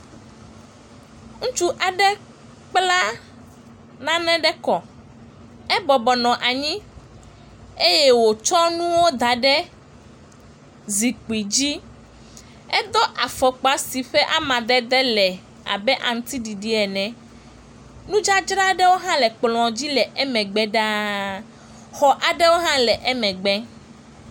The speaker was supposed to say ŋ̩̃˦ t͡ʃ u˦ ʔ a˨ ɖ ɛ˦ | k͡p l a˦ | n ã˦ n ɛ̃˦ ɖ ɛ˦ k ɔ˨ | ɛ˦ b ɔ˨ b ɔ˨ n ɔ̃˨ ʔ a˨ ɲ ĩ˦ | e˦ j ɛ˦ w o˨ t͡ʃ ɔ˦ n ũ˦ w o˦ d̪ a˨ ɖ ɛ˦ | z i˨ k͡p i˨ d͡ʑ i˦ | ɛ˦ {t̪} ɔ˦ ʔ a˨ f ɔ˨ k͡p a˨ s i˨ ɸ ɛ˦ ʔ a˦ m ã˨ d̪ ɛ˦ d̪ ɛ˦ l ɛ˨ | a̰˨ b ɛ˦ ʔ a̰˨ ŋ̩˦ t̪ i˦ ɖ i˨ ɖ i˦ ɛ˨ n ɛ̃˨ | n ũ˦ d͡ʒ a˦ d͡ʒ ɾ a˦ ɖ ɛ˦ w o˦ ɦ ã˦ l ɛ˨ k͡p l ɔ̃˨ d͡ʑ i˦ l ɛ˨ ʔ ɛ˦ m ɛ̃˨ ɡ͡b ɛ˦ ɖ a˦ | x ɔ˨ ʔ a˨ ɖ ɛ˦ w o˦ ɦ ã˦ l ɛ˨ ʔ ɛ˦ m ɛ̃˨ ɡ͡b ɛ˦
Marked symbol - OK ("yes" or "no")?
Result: no